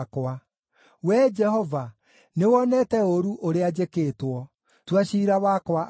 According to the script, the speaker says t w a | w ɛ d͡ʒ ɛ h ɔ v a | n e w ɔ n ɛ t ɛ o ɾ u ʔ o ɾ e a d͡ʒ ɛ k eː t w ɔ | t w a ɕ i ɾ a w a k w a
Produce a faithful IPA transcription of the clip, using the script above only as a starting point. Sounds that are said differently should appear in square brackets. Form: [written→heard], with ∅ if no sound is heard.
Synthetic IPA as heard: [t→k] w a | w ɛ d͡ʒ ɛ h ɔ v a | n e w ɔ n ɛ t ɛ o ɾ u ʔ o ɾ e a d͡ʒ [ɛ→e] k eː t w ɔ | t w a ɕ i ɾ a w a k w a

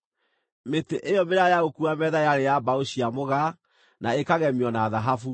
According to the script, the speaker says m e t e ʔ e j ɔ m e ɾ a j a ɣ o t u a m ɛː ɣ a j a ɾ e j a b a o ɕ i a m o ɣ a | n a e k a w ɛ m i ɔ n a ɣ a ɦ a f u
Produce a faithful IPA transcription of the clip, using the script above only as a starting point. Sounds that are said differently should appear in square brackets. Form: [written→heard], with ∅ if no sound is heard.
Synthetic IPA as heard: m e t e ʔ e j ɔ m e ɾ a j a ɣ o [t→k] u a m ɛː [ɣ→ð] a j a ɾ e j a b a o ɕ i a m o ɣ a | n a e k a [w→ɣ] ɛ m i ɔ n a [ɣ→ð] a ɦ a f u

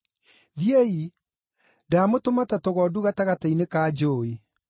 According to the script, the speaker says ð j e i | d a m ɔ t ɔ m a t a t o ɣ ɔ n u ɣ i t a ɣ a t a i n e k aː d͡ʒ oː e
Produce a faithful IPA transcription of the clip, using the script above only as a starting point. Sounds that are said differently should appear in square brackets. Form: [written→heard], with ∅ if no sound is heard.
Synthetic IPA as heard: ð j e i | d a m [ɔ→o] t [ɔ→o] m a t a t o ɣ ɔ [n→d] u ɣ [i→a] t a ɣ a t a i n e k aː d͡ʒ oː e

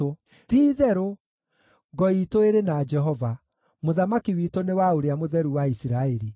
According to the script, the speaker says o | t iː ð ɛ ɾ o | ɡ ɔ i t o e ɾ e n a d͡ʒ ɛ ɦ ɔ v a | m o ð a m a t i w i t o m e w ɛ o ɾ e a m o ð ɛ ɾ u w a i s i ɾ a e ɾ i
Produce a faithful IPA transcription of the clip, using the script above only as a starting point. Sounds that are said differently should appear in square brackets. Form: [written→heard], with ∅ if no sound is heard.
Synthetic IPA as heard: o | t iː ð ɛ ɾ o | ɡ ɔ i t o e ɾ e n a d͡ʒ ɛ ɦ ɔ v a | m o ð a m a [t→k] i w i t o [m→n] e w [ɛ→a] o ɾ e a m o ð ɛ ɾ u w a i s i ɾ a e ɾ i

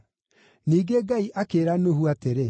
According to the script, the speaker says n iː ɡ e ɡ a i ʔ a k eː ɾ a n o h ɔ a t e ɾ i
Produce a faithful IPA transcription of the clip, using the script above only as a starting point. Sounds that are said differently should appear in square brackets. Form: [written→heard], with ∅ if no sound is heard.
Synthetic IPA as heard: n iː ɡ e ɡ a i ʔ a k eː ɾ a n o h [ɔ→u] a t e ɾ [i→e]

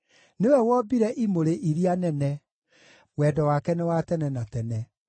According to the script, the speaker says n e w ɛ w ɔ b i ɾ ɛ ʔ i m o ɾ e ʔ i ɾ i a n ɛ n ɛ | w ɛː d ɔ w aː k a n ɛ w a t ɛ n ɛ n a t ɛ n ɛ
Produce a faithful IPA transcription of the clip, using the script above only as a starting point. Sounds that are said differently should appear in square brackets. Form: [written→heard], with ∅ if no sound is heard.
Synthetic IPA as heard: n e w ɛ w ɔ b i ɾ ɛ ʔ i m o ɾ e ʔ i ɾ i a n ɛ n ɛ | w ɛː d ɔ w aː k [a→ɛ] n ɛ w a t ɛ n ɛ n a t ɛ n ɛ

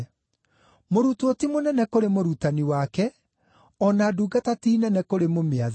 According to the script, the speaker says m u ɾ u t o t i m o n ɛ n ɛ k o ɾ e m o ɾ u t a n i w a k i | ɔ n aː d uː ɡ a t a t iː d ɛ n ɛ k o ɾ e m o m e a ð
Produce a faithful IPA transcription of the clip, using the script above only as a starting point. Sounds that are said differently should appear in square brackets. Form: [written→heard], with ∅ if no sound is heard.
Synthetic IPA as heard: m [u→o] ɾ u t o t i m o n ɛ n ɛ k o ɾ e m o ɾ u t a n i w a k [i→ɛ] | ɔ n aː d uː ɡ a t a t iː [d→n] ɛ n ɛ k o ɾ e m o m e a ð

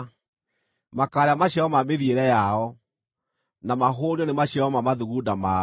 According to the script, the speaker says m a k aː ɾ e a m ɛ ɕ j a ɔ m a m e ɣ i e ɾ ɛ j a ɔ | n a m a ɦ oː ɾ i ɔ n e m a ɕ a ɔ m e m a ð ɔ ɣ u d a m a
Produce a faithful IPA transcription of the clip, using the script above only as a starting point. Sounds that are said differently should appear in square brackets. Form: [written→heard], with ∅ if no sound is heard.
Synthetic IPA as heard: m a k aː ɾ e a m [ɛ→a] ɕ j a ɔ m a m e [ɣ→ð] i e ɾ ɛ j a ɔ | n a m a ɦ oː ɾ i ɔ n e m a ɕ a ɔ m [e→a] m a ð [ɔ→u] ɣ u d a m a

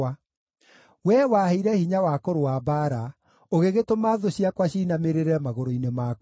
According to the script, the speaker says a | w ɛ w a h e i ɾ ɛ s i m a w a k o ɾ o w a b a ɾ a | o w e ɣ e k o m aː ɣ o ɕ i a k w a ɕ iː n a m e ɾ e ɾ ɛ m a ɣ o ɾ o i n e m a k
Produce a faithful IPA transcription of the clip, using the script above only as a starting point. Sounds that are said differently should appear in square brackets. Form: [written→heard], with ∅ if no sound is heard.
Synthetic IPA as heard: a | w ɛ w a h e i ɾ ɛ [s→h] i [m→ɲ] a w a k o ɾ o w a b a ɾ a | o [w→ɣ] e ɣ e [k→t] o m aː [ɣ→ð] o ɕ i a k w a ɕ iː n a m e ɾ e ɾ ɛ m a ɣ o ɾ o i n e m a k

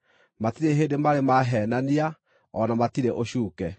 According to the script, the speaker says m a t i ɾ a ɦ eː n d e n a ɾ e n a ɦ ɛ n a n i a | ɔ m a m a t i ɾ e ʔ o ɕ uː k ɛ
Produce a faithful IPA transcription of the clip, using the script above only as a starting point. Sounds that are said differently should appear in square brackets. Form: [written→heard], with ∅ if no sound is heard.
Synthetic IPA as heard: m a t i ɾ [a→e] ɦ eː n d e [n→m] a ɾ e [n→m] a ɦ ɛ n a n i a | ɔ [m→n] a m a t i ɾ e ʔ o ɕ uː k ɛ

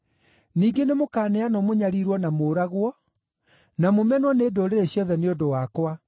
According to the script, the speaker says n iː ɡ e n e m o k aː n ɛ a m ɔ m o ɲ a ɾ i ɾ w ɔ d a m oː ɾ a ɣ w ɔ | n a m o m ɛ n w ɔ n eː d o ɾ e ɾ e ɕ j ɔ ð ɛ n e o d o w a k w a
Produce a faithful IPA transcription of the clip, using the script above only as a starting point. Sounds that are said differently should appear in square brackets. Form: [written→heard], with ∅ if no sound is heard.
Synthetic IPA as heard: n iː ɡ e n e m o k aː n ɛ a [m→n] ɔ m o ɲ a ɾ i ɾ w ɔ [d→n] a m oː ɾ a ɣ w ɔ | n a m o m ɛ n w ɔ n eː d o ɾ e ɾ e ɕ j ɔ ð ɛ n e o d o w a k w a

